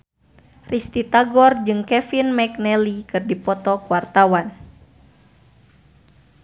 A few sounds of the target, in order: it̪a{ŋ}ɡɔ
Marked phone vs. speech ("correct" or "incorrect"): incorrect